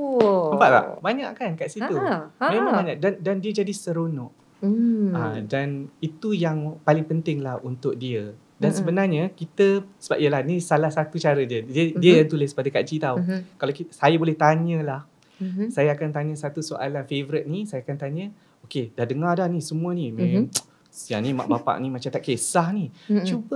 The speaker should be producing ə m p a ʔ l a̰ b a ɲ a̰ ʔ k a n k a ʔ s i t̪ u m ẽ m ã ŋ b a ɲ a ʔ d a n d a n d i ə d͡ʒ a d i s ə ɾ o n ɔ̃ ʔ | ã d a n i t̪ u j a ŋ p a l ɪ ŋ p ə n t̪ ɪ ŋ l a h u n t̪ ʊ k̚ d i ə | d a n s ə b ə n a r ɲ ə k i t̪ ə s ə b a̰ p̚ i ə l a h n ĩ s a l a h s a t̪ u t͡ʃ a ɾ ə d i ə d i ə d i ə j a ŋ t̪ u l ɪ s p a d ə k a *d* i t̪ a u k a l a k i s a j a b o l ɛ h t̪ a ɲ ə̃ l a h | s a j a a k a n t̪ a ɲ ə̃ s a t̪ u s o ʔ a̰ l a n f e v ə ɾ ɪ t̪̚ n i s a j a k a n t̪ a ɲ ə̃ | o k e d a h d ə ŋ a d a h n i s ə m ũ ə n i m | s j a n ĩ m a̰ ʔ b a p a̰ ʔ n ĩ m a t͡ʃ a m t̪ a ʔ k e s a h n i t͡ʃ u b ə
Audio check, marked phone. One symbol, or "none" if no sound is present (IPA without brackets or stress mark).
d͡ʒ